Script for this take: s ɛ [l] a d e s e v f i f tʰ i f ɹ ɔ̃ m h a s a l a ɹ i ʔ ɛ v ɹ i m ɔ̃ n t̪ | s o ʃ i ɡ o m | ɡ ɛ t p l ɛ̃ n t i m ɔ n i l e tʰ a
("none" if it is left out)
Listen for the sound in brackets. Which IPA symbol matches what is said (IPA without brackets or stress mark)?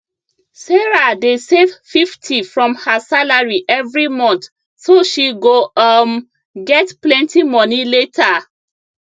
ɹ